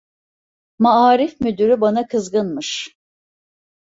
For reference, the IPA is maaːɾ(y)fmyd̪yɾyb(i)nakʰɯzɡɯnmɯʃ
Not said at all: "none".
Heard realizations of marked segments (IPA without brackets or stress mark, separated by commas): i, a